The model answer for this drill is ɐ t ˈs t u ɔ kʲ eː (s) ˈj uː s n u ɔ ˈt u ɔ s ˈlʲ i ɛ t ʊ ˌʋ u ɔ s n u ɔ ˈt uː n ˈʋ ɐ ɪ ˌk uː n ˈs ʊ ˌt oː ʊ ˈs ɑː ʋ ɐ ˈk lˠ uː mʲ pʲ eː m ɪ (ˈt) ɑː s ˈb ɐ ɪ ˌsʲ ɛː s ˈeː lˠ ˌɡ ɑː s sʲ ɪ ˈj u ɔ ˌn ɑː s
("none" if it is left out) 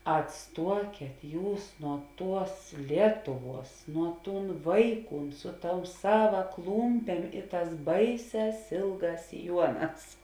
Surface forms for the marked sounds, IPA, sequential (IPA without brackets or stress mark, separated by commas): t, t